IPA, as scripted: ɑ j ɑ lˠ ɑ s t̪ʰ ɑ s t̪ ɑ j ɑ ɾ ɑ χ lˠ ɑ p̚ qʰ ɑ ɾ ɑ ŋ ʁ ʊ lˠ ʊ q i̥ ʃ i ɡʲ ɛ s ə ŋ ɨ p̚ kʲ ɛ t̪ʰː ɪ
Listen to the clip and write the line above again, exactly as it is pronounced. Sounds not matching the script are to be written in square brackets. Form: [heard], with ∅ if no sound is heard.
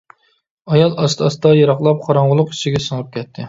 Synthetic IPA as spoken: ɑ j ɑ lˠ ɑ s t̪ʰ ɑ s t̪ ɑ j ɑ ɾ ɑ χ lˠ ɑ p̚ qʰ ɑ ɾ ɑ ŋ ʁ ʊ lˠ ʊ q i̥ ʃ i ɡʲ ɛ s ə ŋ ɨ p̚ kʲ ɛ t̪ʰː ɪ